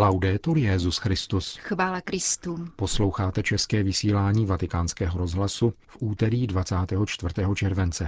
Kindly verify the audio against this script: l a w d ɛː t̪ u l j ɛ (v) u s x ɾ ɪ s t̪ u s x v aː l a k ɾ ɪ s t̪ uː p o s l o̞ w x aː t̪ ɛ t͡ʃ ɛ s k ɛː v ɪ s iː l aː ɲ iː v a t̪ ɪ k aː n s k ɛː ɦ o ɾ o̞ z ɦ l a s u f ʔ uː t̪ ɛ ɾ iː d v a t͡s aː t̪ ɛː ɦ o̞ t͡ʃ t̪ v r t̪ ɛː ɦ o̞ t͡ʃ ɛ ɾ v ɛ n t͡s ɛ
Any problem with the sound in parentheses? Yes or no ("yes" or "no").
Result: yes